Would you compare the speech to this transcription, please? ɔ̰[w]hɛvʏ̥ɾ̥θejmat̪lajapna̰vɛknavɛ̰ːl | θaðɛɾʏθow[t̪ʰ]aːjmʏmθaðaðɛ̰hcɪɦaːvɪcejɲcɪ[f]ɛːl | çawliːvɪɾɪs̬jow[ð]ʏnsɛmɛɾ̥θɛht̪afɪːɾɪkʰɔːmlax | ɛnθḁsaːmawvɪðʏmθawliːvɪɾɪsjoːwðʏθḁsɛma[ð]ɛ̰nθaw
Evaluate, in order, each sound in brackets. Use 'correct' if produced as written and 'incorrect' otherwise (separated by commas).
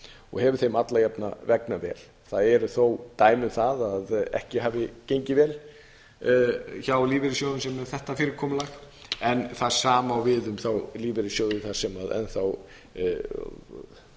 incorrect, incorrect, incorrect, correct, correct